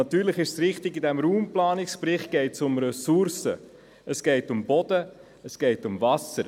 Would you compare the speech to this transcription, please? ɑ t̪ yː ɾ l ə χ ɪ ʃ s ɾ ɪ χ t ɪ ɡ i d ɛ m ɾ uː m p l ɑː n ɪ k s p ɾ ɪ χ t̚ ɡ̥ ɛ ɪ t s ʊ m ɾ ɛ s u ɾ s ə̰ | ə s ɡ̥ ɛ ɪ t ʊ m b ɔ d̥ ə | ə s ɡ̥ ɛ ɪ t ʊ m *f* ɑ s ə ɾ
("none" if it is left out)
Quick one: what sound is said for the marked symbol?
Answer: v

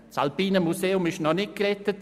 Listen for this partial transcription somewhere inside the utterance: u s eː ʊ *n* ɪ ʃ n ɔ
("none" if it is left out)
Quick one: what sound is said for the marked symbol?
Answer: m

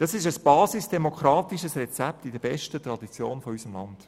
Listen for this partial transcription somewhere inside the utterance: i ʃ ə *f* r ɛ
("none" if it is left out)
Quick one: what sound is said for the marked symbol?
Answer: s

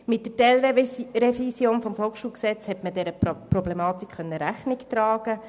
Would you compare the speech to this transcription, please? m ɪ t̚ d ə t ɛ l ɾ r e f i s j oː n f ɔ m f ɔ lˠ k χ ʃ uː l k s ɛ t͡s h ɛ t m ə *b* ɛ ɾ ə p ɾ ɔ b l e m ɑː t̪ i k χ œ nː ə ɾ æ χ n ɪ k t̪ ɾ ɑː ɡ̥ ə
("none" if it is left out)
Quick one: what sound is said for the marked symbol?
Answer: d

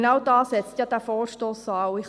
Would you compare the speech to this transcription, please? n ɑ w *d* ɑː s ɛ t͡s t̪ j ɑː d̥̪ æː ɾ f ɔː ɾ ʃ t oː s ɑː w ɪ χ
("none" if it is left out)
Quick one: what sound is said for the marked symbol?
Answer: d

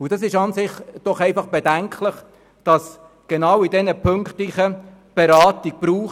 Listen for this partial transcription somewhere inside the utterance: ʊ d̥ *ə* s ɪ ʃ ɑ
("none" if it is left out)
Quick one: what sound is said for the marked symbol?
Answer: ɑ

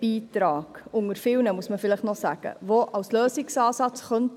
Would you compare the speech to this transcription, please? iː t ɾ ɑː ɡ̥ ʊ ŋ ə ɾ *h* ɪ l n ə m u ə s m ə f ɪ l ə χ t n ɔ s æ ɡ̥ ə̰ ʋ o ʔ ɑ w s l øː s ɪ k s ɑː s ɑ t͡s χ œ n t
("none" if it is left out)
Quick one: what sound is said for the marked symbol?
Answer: f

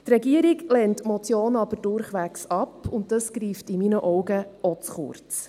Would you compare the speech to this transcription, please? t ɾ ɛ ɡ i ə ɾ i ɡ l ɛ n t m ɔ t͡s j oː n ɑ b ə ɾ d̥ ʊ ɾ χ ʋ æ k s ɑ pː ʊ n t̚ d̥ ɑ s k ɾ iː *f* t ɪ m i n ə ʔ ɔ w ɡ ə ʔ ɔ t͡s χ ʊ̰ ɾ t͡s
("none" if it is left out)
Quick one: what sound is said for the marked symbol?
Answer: f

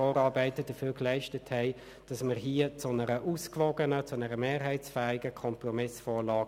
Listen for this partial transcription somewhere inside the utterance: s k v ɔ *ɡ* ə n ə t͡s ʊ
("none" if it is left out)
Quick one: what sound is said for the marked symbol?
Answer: ɡ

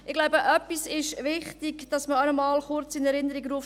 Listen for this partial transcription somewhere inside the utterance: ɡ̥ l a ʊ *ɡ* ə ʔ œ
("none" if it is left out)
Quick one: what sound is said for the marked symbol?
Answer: b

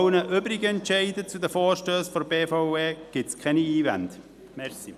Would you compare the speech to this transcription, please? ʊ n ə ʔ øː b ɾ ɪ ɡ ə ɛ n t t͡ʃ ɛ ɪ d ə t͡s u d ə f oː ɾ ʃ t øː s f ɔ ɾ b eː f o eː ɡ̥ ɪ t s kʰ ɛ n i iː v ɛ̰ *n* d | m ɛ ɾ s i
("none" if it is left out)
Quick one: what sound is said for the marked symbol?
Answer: n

